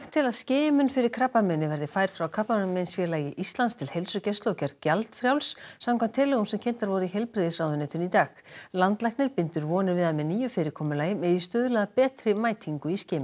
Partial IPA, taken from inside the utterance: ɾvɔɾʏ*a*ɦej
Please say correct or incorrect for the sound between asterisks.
incorrect